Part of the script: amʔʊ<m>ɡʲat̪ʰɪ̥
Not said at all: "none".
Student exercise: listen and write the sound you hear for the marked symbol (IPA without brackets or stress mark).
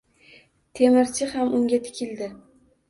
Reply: ŋ